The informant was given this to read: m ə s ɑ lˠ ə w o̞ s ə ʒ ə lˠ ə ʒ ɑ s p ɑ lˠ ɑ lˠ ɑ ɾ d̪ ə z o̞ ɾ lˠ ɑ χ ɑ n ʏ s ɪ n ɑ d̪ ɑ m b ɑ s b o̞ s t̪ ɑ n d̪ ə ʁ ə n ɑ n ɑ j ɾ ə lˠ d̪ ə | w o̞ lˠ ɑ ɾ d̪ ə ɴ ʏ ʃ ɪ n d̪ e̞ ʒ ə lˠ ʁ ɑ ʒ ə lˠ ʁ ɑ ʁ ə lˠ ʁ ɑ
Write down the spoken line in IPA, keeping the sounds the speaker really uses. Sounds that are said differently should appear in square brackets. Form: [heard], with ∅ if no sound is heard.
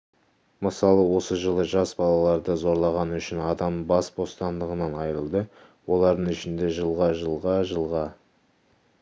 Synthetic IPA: m ə s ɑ lˠ ə w o̞ s ə ʒ ə lˠ ə ʒ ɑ s [b] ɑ lˠ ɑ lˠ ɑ ɾ d̪ ə z o̞ ɾ lˠ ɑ [ʁ] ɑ n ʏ [ʃ] ɪ n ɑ d̪ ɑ m b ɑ s b o̞ s t̪ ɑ n d̪ ə ʁ ə n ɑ n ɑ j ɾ ə lˠ d̪ ə | w o̞ lˠ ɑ ɾ d̪ ə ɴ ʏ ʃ ɪ n d̪ e̞ ʒ ə lˠ ʁ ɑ ʒ ə lˠ ʁ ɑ [ʒ] ə lˠ ʁ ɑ